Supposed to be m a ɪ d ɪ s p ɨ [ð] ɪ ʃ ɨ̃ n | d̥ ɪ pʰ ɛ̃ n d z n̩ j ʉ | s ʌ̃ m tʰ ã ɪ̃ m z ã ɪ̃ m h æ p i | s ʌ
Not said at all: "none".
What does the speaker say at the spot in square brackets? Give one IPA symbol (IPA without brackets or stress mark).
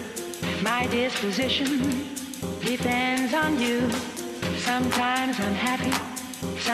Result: z